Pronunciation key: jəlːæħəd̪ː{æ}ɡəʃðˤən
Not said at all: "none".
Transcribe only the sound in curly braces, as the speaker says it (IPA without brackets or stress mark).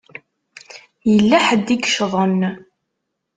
i